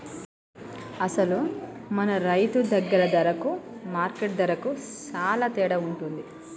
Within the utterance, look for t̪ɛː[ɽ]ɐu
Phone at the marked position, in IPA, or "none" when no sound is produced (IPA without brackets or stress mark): ɽ